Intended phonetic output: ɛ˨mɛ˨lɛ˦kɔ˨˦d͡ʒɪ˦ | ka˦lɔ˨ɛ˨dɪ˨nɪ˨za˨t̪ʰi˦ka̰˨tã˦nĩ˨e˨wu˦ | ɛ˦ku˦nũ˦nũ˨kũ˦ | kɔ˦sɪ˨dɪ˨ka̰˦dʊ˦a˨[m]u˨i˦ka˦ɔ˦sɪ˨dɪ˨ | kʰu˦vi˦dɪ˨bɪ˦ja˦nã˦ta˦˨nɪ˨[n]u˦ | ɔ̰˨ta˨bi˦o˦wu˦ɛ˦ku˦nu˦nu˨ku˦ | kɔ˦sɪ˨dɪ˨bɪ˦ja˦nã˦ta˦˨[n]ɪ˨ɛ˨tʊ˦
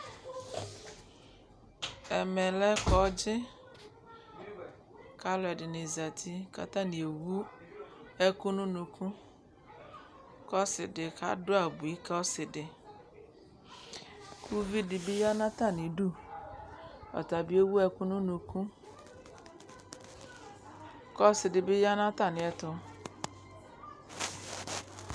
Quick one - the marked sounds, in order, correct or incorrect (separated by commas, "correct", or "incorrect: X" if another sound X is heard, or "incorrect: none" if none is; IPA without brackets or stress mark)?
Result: incorrect: b, incorrect: d, correct